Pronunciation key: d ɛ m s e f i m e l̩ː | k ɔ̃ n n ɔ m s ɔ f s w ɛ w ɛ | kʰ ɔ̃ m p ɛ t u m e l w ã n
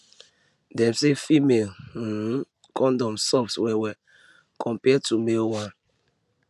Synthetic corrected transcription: d ɛ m s e f i m e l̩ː | k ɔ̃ n d ɔ m s ɔ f s w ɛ w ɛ | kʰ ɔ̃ m p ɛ t u m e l w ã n